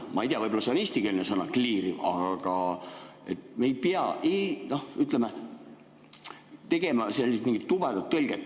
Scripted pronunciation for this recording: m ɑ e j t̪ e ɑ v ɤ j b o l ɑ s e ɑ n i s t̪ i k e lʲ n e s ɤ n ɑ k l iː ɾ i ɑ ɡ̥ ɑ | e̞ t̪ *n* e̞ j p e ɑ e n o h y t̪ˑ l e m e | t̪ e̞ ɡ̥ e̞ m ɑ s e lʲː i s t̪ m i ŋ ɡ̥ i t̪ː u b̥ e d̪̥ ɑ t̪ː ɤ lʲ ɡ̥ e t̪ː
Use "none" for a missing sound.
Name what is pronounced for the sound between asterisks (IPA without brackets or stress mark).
m